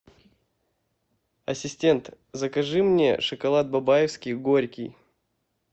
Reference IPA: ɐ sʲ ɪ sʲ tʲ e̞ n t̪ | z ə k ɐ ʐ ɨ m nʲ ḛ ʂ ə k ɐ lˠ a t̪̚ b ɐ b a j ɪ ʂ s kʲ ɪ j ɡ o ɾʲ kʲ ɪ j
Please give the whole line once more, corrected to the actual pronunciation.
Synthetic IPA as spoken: ɐ sʲ ɪ sʲ tʲ e̞ n t̪ | z ə k ɐ ʐ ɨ m nʲ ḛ ʂ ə k ɐ lˠ a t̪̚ b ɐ b a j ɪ f s kʲ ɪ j ɡ o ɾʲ kʲ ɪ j